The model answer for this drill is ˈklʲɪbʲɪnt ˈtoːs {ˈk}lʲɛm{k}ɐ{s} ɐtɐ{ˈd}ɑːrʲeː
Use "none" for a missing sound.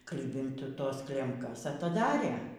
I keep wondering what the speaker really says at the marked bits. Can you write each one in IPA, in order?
k, k, s, d

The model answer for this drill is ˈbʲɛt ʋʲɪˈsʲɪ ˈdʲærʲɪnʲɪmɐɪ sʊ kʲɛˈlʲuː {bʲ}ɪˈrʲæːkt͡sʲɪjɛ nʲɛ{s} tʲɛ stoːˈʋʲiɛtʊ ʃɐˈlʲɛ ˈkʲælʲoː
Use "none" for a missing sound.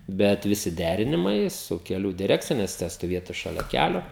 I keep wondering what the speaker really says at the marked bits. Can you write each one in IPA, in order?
dʲ, s

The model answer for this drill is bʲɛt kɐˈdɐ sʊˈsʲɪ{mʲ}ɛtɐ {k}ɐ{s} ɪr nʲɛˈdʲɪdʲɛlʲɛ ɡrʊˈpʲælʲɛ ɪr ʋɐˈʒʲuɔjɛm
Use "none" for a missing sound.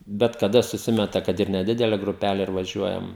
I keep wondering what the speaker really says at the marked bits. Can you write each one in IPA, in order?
mʲ, k, t

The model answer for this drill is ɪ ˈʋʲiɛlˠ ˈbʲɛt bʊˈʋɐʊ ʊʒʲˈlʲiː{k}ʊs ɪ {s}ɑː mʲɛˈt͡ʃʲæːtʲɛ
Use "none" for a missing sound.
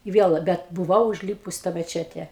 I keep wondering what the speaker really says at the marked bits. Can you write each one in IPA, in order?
p, t

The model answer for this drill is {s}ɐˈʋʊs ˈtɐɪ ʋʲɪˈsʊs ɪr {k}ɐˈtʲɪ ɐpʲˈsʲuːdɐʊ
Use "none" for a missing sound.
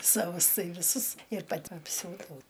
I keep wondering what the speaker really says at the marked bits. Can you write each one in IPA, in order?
s, p

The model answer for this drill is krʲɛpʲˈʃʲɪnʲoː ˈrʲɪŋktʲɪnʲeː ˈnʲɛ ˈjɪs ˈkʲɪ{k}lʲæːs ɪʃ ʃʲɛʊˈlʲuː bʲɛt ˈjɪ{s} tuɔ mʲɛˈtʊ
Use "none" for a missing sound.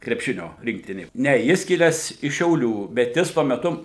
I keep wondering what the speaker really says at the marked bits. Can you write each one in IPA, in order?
none, s

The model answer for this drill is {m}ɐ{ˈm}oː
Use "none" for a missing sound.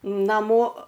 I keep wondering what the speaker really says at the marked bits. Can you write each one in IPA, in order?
n, m

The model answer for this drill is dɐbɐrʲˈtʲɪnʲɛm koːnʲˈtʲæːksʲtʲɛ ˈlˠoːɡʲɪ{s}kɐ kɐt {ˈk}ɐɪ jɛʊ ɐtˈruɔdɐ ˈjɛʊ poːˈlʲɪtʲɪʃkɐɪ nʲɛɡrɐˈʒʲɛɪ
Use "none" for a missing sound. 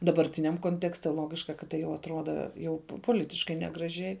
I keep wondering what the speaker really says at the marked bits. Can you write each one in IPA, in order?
ʃ, t

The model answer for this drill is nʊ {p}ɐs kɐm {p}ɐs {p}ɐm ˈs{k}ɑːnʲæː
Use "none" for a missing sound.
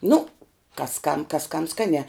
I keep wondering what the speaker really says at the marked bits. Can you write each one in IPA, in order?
k, k, k, k

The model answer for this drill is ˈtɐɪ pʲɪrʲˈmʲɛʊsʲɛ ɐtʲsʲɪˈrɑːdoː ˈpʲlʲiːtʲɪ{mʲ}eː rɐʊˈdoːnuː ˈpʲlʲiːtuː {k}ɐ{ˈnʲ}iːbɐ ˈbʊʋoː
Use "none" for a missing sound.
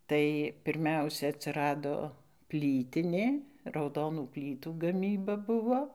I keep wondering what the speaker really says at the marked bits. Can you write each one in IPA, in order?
nʲ, ɡ, mʲ

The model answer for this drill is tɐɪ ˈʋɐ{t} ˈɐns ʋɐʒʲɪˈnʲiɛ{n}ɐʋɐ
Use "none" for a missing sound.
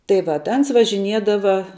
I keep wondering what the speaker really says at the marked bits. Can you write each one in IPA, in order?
t, d

